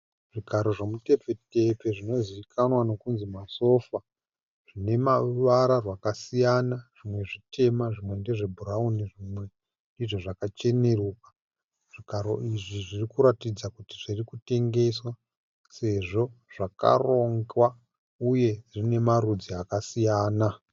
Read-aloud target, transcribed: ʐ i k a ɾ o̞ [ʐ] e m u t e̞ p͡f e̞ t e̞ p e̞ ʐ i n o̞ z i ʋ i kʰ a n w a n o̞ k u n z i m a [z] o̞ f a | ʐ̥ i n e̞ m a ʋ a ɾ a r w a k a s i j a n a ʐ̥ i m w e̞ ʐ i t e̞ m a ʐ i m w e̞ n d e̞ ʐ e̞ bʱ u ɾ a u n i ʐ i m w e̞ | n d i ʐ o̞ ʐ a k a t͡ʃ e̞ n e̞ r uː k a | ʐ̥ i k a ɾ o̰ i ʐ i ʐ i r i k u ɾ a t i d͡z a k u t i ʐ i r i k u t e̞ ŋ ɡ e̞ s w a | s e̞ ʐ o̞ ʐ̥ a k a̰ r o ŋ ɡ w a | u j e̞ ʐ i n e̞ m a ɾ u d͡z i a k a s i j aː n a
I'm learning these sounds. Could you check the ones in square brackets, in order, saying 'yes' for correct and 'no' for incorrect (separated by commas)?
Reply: yes, no